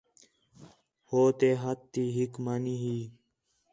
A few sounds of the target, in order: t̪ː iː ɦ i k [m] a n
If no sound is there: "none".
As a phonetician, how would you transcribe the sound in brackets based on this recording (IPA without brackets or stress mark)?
m